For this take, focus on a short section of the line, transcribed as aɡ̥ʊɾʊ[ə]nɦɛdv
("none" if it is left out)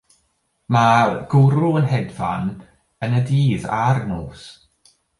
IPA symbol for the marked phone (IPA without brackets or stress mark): ə